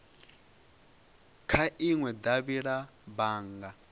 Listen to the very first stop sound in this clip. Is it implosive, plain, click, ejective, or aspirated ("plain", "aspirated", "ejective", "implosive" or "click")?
aspirated